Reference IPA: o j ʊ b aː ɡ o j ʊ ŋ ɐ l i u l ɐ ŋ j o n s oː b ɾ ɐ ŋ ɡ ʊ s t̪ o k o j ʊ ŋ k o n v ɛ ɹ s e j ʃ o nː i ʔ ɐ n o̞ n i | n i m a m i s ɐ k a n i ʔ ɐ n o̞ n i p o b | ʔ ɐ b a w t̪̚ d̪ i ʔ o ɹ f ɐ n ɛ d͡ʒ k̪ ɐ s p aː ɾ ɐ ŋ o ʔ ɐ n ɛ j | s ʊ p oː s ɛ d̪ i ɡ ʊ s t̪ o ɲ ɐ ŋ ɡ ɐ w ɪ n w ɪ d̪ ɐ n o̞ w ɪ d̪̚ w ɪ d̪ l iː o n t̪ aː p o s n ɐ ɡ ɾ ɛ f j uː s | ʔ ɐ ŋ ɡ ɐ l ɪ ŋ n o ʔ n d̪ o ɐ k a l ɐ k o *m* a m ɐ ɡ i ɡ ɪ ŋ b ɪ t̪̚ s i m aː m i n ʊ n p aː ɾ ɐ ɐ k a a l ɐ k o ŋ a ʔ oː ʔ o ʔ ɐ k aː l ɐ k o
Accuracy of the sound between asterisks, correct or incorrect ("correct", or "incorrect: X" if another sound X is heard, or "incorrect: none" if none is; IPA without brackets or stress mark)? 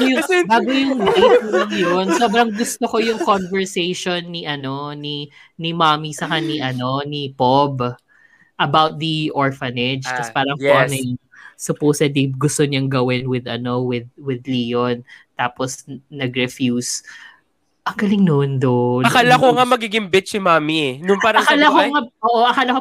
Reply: incorrect: ŋ